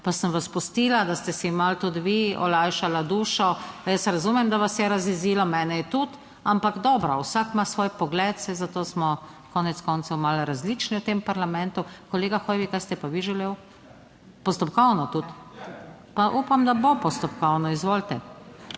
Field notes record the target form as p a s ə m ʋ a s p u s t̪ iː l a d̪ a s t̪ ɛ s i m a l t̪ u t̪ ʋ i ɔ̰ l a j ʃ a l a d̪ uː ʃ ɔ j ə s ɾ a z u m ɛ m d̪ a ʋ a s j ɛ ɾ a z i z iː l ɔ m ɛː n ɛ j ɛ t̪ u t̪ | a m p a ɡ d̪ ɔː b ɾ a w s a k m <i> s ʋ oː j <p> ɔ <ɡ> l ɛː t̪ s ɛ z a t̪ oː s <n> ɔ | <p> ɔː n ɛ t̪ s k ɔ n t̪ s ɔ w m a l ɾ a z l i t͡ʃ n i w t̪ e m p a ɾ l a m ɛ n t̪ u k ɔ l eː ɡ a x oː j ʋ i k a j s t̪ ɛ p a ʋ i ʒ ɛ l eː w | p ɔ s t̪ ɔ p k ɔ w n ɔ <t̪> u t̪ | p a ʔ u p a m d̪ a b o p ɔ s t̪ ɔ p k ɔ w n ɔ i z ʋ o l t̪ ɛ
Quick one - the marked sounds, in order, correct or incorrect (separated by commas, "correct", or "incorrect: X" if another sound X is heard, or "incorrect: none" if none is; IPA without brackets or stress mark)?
incorrect: a, correct, correct, incorrect: m, incorrect: k, correct